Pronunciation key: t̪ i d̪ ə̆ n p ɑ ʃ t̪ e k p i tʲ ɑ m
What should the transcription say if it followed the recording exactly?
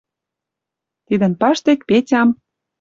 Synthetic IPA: t̪ i d̪ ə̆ n p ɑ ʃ t̪ e k p e tʲ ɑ m